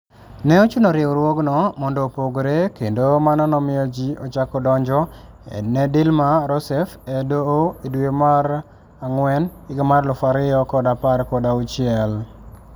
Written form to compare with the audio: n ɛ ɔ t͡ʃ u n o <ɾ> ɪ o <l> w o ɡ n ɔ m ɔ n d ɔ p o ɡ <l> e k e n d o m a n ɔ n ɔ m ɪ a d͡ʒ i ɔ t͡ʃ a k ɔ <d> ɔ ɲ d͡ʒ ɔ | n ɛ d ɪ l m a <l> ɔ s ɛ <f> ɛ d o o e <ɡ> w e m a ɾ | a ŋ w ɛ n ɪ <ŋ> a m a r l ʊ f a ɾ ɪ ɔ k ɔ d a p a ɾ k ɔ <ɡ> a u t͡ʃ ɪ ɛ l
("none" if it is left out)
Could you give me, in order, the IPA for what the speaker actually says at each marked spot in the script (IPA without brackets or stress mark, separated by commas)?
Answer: ɾ, ɾ, ɾ, d, ɾ, f, d, ɡ, d